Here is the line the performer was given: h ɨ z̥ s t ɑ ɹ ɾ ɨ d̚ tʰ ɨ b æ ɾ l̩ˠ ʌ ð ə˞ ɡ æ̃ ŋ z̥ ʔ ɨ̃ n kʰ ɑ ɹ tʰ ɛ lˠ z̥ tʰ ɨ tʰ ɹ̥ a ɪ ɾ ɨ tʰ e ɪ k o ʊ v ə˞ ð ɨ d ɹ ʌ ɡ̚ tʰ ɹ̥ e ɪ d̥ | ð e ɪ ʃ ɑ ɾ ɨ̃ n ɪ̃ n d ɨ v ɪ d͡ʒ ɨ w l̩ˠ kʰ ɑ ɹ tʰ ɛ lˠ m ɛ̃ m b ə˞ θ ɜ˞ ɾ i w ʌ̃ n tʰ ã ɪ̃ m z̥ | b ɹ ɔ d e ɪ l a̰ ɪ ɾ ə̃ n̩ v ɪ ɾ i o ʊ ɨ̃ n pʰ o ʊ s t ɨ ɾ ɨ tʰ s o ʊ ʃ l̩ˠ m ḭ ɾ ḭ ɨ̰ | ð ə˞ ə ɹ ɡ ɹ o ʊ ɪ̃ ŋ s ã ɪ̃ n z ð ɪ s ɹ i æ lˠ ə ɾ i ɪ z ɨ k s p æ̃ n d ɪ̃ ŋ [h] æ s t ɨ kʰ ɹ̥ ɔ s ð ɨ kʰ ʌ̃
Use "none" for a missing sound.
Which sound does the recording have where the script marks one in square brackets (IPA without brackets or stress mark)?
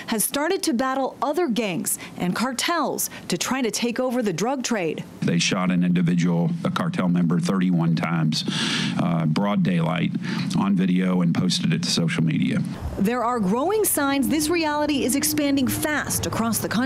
f